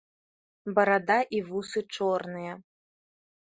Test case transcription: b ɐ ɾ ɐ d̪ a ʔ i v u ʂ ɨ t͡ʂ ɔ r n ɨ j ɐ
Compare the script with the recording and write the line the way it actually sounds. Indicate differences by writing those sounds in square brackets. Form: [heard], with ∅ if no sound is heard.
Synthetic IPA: b ɐ ɾ [a] d̪ a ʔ i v u [s] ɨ t͡ʂ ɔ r n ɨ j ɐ